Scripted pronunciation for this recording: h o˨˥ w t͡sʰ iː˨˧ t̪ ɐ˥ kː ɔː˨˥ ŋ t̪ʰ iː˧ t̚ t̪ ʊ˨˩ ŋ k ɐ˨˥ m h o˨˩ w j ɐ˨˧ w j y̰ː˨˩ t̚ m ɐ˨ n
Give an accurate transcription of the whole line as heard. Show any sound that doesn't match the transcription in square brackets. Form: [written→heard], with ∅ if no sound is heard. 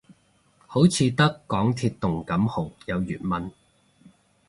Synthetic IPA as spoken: h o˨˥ w t͡sʰ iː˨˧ t̪ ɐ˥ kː ɔː˨˥ ŋ t̪ʰ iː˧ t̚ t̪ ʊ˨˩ ŋ k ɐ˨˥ m h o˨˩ w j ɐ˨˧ w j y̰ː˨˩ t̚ m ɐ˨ n